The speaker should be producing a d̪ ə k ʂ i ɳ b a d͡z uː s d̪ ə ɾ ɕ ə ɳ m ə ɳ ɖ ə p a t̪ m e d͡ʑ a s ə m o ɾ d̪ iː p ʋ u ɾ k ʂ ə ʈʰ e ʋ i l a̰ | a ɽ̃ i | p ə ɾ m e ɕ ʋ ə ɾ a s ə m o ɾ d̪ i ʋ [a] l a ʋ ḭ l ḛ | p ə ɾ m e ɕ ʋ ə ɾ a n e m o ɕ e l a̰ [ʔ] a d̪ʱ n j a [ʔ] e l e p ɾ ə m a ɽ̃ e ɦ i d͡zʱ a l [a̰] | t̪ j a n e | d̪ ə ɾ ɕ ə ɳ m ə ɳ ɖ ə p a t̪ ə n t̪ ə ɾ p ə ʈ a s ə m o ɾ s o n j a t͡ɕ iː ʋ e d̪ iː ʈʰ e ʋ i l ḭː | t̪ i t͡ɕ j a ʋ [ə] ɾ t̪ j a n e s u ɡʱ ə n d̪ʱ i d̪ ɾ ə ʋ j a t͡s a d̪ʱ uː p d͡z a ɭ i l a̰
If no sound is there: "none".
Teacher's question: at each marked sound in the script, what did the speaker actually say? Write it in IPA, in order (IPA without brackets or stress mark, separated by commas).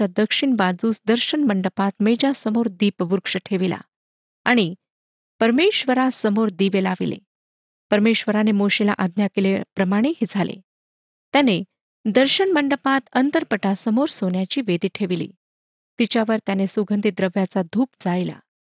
e, ʔ, k, ḛ, ə